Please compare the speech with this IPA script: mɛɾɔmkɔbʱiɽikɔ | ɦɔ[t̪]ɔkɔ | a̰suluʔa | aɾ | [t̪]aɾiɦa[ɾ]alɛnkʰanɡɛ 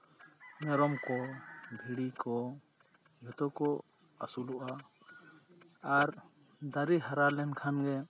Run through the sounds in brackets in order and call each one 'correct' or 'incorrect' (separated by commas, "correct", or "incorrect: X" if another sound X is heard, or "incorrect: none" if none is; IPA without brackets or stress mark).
correct, incorrect: d̪, correct